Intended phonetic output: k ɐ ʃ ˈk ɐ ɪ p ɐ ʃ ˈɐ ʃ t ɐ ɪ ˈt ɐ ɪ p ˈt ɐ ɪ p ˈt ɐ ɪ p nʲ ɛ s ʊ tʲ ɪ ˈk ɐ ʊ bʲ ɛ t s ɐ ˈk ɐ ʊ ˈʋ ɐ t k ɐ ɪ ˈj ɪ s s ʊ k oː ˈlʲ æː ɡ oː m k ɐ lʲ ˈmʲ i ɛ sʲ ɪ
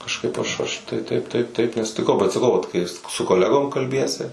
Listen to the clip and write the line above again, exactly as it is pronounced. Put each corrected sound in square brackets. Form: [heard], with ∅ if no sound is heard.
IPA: k ɐ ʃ ˈk ɐ ɪ p ɐ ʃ ˈɐ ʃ t ɐ ɪ ˈt ɐ ɪ p ˈt ɐ ɪ p ˈt ɐ ɪ p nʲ ɛ s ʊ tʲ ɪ ˈk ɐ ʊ bʲ ɛ t s ɐ ˈk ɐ ʊ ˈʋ ɐ t k ɐ ɪ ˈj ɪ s s ʊ k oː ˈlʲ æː ɡ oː m k ɐ lʲ [ˈbʲ] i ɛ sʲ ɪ

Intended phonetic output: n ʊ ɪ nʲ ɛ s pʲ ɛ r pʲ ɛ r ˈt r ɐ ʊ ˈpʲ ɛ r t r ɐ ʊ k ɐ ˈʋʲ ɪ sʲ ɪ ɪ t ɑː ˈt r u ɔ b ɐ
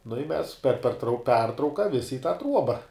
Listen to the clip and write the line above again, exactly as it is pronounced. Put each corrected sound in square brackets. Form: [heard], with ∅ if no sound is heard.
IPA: n ʊ ɪ [mʲ] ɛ s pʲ ɛ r pʲ ɛ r ˈt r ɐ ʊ ˈpʲ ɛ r t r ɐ ʊ k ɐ ˈʋʲ ɪ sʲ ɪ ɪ t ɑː ˈt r u ɔ b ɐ

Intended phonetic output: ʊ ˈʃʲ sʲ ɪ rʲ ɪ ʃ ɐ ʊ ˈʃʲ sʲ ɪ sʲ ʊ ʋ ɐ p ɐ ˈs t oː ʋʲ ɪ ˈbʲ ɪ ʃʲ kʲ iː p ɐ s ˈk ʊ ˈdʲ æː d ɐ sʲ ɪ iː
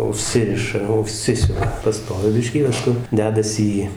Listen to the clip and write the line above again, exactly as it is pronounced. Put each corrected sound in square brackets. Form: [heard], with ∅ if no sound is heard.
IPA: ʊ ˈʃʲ sʲ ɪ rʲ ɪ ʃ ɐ ʊ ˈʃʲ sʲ ɪ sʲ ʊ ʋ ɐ p ɐ ˈs t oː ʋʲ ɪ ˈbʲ ɪ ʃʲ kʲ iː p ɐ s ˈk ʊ ˈdʲ æː d ɐ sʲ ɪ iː

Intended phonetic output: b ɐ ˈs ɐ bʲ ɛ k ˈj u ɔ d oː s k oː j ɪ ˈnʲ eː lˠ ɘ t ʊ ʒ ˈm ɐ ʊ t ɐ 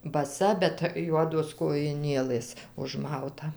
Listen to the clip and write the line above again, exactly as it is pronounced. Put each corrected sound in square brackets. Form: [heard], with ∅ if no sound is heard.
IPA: b ɐ ˈs ɐ bʲ ɛ [t] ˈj u ɔ d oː s k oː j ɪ ˈnʲ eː lˠ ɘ [s] ʊ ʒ ˈm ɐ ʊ t ɐ

